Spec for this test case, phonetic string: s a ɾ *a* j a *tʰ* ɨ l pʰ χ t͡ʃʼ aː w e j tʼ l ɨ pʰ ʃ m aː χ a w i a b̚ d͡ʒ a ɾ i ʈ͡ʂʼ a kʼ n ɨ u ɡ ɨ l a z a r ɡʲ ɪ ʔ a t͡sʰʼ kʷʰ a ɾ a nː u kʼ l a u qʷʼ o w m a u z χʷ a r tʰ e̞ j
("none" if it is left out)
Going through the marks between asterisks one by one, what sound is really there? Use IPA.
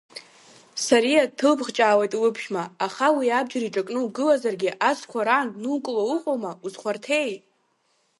i, tʰ

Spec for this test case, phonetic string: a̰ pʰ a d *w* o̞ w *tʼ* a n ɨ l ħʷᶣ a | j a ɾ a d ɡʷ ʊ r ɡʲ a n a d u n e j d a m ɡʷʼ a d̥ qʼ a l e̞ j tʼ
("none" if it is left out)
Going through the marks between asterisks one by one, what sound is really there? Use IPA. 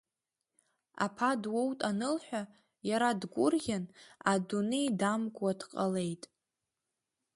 w, tʼ

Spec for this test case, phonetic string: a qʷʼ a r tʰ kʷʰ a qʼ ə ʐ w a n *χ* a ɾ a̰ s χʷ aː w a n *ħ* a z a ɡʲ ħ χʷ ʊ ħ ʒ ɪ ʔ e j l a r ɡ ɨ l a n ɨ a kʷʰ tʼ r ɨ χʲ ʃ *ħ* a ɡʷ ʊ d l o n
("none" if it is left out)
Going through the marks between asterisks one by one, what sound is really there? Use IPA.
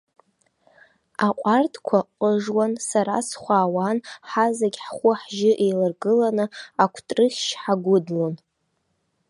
s, ħ, ħ

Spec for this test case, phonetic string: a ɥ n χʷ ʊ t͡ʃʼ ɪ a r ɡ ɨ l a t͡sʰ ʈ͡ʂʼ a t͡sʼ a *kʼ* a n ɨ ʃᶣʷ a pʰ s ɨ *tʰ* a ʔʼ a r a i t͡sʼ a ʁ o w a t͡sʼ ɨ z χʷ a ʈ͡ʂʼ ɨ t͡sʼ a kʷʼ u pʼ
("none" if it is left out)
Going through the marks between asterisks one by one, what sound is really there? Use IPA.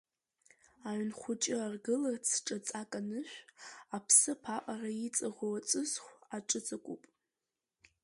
kʼ, pʰ

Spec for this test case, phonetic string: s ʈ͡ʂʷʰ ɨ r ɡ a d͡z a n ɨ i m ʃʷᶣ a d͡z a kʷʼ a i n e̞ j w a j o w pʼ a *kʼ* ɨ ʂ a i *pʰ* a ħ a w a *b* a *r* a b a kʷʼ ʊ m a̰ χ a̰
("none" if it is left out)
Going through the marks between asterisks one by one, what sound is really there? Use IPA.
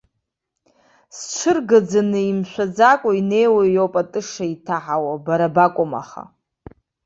tʼ, tʰ, b, ɾ

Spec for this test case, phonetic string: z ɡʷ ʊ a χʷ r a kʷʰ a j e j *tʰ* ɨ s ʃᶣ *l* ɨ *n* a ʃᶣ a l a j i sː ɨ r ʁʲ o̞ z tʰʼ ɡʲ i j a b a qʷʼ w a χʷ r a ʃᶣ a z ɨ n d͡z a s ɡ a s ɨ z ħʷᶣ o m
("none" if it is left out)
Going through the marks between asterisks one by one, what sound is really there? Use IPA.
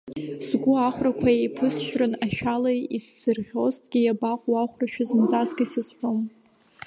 pʰ, r, n

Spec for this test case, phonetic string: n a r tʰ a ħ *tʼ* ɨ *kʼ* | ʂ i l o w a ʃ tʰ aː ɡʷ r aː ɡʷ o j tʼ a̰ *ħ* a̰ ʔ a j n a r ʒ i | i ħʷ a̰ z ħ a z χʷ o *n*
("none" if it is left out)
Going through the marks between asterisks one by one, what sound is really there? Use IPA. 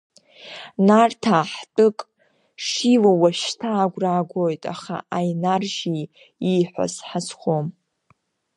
tʼ, kʼ, χ, m

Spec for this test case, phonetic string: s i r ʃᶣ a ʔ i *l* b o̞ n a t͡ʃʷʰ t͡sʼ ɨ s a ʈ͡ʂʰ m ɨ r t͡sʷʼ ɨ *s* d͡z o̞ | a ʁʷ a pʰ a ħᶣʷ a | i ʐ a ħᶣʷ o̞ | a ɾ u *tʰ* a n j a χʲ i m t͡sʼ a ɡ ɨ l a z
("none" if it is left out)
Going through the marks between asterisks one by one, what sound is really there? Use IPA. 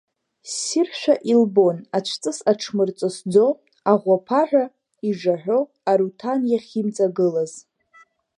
l, s, tʰ

